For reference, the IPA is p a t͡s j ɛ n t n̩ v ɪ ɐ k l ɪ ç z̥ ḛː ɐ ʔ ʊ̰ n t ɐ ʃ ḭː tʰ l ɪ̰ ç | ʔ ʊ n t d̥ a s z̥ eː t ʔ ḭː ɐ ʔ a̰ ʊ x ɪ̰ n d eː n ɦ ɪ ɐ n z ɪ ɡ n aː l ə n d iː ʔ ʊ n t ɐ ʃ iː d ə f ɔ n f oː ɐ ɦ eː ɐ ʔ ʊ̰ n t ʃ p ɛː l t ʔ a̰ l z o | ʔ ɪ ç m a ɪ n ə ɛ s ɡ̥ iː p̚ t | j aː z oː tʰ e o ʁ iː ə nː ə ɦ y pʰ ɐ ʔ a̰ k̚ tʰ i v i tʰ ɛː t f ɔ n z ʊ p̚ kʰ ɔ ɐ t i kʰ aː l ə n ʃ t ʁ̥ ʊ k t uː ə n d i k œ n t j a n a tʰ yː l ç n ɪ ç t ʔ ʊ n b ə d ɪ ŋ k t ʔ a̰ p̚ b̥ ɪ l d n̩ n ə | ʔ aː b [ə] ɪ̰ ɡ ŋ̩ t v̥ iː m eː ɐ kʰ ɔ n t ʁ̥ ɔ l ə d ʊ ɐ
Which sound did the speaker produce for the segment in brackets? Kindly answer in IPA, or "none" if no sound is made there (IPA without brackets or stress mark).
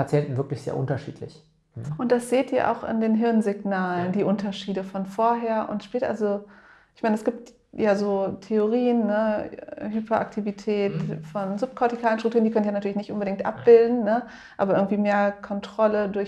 ɐ